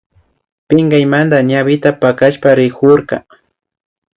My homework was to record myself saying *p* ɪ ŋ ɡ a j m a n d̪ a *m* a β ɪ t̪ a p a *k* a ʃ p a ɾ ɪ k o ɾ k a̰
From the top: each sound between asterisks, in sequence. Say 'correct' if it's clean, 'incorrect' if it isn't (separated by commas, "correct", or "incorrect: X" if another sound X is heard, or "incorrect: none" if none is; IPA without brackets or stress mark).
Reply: correct, incorrect: ɲ, correct